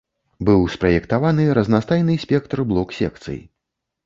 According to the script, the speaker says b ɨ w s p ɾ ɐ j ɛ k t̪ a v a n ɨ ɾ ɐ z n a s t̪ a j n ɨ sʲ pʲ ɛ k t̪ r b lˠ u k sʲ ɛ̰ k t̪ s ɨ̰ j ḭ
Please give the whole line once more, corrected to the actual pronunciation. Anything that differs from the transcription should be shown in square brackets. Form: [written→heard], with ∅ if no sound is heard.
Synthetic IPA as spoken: b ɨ w s p ɾ ɐ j ɛ k t̪ a v a n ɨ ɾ ɐ z n a s t̪ a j n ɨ sʲ pʲ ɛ k t̪ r b lˠ [u→ɔ] k sʲ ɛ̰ k t̪ s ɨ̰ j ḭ

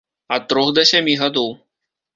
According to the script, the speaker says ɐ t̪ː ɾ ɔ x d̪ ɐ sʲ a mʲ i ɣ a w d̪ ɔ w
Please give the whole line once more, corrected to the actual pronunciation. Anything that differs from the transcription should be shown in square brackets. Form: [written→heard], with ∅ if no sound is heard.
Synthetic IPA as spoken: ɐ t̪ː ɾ ɔ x d̪ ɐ sʲ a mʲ i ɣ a [w→∅] d̪ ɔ w

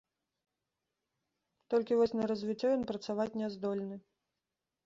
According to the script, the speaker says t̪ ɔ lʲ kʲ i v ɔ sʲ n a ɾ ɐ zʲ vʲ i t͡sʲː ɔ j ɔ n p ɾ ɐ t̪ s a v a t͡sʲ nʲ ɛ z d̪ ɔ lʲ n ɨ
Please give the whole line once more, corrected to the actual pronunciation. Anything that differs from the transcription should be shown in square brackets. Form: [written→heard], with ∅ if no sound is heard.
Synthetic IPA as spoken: t̪ ɔ lʲ kʲ i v ɔ sʲ n [a→ɐ] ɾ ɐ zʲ vʲ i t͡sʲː ɔ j ɔ n p ɾ ɐ t̪ s a v a t͡sʲ nʲ ɛ z d̪ ɔ lʲ n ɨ

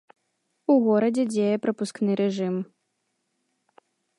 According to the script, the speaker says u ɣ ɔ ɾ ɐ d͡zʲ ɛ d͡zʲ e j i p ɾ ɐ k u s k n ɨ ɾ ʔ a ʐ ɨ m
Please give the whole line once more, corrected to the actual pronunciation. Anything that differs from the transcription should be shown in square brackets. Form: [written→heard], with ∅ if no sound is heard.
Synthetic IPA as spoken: u ɣ ɔ ɾ ɐ d͡zʲ ɛ d͡zʲ e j [i→ɛ] p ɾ ɐ [k→p] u s k n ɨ ɾ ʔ [a→ɛ] ʐ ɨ m

